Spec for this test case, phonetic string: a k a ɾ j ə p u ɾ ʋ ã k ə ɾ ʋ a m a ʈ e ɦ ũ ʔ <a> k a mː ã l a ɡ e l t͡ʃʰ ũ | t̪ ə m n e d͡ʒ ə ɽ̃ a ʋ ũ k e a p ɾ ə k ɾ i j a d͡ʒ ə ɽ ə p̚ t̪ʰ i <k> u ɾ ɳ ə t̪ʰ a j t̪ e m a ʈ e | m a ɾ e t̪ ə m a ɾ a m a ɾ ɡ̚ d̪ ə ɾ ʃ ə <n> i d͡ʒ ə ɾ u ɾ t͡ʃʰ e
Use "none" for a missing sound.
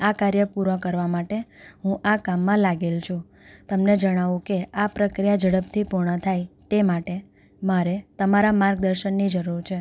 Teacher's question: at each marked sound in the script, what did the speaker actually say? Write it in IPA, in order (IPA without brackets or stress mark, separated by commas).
a, p, nː